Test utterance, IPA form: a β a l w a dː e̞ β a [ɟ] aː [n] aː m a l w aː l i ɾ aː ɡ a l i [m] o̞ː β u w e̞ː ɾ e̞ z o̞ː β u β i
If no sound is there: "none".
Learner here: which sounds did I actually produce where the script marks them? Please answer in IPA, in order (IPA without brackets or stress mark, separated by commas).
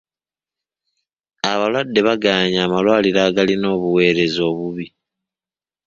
ɡ, ɲ, n